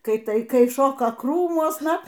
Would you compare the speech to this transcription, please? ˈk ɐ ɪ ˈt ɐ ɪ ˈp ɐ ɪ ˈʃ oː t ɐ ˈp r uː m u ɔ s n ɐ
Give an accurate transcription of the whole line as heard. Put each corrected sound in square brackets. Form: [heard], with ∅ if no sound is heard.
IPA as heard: ˈk ɐ ɪ ˈt ɐ ɪ [ˈk] ɐ ɪ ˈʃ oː [k] ɐ [ˈk] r uː m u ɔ s n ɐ

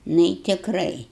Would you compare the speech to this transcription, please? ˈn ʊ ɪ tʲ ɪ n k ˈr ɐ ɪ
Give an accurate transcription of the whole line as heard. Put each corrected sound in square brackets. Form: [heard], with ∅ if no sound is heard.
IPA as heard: ˈn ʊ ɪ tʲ ɪ [∅] k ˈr ɐ ɪ

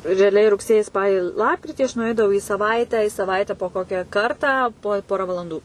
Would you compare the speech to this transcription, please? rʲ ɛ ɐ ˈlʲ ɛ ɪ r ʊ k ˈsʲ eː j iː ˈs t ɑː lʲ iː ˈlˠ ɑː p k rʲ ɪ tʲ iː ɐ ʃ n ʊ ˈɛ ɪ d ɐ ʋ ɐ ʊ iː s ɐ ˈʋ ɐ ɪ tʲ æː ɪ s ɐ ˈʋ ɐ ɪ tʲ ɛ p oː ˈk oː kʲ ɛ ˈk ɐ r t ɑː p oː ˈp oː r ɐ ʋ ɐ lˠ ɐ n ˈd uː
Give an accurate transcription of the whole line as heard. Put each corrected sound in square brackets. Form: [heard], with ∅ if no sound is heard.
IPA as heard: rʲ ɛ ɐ ˈlʲ ɛ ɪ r ʊ k ˈsʲ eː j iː ˈs [p] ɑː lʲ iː ˈlˠ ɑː p k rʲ ɪ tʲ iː ɐ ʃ n ʊ ˈɛ ɪ d ɐ ʋ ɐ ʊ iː s ɐ ˈʋ ɐ ɪ tʲ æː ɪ s ɐ ˈʋ ɐ ɪ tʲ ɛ p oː ˈk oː kʲ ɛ ˈk ɐ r t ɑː p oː ˈp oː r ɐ ʋ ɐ lˠ ɐ n ˈd uː

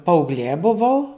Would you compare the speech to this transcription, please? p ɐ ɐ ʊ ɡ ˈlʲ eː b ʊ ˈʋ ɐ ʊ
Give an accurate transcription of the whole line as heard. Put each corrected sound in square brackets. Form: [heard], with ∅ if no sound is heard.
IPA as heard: p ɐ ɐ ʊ ɡ ˈlʲ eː b ʊ ˈʋ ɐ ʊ

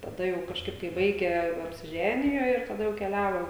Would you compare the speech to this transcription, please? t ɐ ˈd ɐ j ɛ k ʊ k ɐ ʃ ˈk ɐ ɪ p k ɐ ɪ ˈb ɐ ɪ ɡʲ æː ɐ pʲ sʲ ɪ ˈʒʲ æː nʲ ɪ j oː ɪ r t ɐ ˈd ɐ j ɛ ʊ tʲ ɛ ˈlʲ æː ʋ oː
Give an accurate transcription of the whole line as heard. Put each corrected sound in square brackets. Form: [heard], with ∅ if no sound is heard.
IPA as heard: t ɐ ˈd ɐ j ɛ [∅] ʊ k ɐ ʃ ˈk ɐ ɪ p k ɐ ɪ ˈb ɐ ɪ ɡʲ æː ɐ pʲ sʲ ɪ ˈʒʲ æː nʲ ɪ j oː ɪ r t ɐ ˈd ɐ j ɛ ʊ [kʲ] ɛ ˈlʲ æː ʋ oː

